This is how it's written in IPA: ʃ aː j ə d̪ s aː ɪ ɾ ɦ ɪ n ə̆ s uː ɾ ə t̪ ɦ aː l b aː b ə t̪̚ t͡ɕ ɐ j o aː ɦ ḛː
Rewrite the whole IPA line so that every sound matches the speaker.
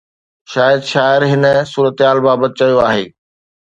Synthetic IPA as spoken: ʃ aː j ə d̪ ʃ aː ɪ ɾ ɦ ɪ n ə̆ s uː ɾ ə t̪ ɦ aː l b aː b ə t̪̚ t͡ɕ ɐ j o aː ɦ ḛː